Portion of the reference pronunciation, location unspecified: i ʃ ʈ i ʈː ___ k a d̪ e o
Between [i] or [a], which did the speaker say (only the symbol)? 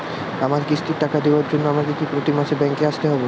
a